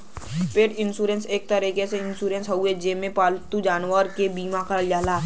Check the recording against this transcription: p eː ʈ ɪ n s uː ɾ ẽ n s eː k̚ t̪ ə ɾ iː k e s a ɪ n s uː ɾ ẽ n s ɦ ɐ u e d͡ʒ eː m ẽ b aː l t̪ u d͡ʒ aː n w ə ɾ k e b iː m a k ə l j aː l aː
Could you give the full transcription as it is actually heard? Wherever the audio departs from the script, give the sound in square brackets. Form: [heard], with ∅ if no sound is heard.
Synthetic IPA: p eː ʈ ɪ n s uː ɾ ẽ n s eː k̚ t̪ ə ɾ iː k e s [e] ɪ n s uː ɾ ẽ n s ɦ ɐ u e d͡ʒ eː m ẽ [p] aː l t̪ u d͡ʒ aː n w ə ɾ k e b iː m a k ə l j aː l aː